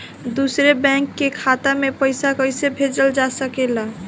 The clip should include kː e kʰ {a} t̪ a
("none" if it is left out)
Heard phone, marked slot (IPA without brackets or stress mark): a